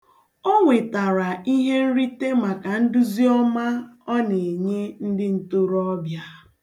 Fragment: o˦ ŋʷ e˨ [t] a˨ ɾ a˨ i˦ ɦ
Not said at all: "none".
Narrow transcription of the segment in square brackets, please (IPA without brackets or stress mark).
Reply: t